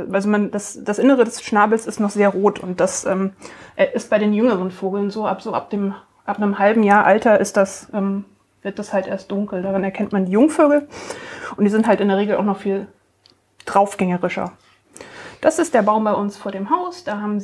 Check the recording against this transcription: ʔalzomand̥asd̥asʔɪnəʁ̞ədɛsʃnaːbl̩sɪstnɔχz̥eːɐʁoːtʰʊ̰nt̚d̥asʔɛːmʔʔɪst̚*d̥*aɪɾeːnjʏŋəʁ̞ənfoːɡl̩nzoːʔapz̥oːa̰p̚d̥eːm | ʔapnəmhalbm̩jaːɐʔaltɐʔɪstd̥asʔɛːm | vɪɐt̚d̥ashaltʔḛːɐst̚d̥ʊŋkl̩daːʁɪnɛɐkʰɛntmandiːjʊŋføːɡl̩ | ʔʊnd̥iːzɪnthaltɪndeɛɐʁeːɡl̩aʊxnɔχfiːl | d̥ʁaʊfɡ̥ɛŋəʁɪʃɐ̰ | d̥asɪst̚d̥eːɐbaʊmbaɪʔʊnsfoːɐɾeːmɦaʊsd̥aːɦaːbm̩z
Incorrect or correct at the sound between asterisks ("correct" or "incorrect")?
incorrect